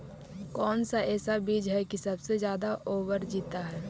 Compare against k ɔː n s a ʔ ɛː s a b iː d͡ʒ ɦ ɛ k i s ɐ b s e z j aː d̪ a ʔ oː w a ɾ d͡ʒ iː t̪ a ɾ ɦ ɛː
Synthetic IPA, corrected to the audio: k ɔː n s a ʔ ɛː s a b iː d͡ʒ ɦ ɛ k i s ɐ b s e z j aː d̪ a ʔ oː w ə ɾ d͡ʒ iː t̪ a ɦ ɛː